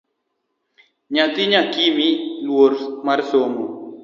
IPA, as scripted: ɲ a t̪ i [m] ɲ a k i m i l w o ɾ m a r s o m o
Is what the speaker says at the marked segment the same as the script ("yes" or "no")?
no